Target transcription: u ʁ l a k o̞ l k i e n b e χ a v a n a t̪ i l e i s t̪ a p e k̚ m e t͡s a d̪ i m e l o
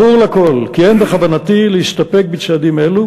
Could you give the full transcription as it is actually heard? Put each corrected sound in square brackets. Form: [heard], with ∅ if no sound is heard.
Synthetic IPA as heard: u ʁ l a k o̞ l k i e n b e χ a v a n a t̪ i l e i [ʃ] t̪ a p e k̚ [b] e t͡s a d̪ i m e l [u]